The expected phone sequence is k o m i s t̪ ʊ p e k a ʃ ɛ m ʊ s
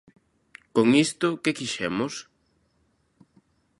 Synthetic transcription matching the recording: k o ŋ i s t̪ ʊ k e k i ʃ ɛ m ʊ s